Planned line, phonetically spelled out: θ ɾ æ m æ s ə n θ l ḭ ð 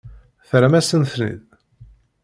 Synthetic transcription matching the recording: θ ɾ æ m æ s ə n θ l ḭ ð

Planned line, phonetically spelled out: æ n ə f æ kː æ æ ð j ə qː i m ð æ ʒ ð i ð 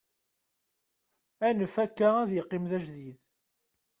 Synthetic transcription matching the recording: æ n ə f æ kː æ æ ð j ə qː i m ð æ ʒ ð i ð

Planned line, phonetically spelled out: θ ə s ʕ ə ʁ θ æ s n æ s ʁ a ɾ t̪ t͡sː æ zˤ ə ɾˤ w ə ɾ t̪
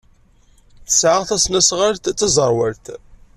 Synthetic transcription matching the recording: θ ə s ʕ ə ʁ θ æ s n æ s ʁ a ɾ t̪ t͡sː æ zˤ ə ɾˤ w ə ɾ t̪

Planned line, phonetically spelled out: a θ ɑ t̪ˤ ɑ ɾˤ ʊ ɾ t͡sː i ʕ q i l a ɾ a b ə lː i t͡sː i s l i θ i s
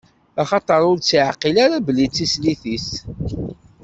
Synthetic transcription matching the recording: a χ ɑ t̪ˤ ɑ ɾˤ ʊ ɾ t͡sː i ʕ q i l a ɾ a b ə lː i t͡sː i s l i θ i s

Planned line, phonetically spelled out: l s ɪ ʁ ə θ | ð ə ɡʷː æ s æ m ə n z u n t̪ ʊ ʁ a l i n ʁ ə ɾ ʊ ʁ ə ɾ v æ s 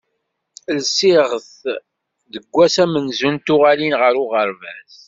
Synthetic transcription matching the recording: l s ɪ ʁ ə θ | ð ə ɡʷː æ s æ m ə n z u n t̪ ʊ ʁ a l i n ʁ ə ɾ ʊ ʁ ə ɾ v æ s

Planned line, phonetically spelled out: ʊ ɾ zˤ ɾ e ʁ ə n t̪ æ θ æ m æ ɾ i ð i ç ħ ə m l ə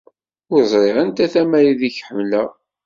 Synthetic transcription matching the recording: ʊ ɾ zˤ ɾ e ʁ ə n t̪ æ θ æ m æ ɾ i ð i ç ħ ə m l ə

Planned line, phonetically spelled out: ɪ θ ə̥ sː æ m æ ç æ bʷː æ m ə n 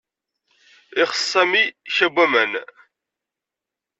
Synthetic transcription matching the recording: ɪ χ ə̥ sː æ m i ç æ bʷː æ m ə n

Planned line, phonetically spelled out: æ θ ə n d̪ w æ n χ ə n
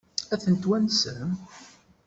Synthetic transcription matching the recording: æ θ ə n t̪ w æ n s ə m

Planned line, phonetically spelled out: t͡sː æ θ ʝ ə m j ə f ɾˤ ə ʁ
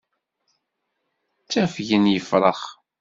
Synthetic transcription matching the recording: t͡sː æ f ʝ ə n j ə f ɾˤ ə χ

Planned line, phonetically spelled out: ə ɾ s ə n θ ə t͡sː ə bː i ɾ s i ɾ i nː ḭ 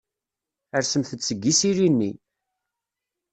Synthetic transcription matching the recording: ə ɾ s ə m θ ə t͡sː ə ɡː i s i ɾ i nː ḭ

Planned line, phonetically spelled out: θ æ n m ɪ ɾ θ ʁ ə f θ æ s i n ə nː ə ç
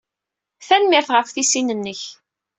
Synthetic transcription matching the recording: θ æ n m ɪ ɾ θ ʁ ə f θ i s i n ə nː ə ç

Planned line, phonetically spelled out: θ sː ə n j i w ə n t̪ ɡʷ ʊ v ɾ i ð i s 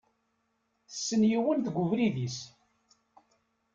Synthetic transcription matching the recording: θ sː ə n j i w ə n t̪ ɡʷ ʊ v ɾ i ð i s

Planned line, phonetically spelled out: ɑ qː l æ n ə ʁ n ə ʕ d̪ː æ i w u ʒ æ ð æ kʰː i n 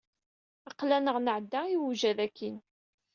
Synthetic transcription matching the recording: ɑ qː l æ n ə ʁ n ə ʕ d̪ː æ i w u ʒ æ ð æ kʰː i n

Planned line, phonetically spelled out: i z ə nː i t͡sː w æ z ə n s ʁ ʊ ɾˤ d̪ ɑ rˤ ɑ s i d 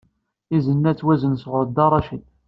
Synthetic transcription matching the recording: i z ə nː æ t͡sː w æ z ə n s ʁ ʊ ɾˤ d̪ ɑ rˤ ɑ ʃ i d

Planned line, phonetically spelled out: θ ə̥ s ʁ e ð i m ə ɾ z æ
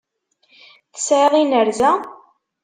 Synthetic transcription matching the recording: θ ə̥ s ʕ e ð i n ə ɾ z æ

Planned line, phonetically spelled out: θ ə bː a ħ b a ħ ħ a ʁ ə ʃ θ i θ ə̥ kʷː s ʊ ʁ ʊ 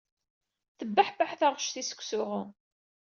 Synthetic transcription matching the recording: θ ə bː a ħ b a ħ θ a ʁ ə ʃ θ i s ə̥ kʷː s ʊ ʁ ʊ

